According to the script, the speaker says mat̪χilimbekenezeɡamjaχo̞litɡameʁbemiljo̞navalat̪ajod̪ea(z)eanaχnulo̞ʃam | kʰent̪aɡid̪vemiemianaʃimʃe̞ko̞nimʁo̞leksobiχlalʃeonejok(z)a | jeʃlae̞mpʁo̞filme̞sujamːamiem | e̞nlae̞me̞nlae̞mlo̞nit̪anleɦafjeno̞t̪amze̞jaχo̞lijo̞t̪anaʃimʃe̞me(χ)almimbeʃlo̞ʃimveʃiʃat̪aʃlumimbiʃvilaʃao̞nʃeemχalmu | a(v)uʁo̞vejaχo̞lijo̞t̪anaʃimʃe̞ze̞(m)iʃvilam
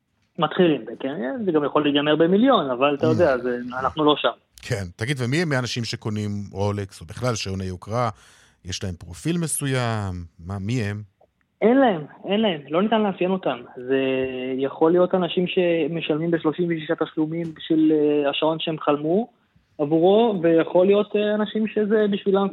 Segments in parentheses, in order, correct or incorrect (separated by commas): correct, incorrect, incorrect, correct, incorrect